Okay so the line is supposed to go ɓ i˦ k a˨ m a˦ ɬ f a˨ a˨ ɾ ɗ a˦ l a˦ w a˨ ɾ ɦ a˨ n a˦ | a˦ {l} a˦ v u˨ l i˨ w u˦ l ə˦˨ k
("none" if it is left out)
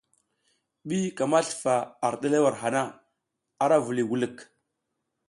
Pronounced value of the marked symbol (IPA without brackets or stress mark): ɾ